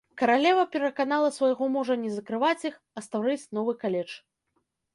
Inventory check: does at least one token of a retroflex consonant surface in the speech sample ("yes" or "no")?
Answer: yes